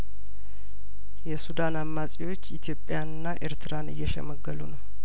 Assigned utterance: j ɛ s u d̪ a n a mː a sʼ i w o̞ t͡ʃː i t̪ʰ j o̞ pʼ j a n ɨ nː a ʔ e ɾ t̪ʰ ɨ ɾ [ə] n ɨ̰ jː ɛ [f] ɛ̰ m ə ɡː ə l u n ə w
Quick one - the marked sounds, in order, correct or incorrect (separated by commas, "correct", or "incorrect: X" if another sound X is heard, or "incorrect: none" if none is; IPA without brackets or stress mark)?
incorrect: a, incorrect: ʃ